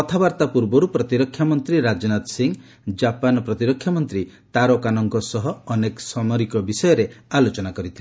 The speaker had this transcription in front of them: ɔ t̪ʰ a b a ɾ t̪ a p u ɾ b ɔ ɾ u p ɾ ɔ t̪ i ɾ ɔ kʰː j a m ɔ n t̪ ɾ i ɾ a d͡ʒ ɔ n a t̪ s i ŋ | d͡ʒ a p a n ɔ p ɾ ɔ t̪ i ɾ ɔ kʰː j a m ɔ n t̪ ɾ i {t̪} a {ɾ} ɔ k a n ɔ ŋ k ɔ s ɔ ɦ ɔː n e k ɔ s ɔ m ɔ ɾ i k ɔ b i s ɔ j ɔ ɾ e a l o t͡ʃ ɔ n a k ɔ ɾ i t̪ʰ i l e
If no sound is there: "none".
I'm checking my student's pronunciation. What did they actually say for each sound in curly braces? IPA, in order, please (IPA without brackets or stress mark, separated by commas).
t̪, ɾ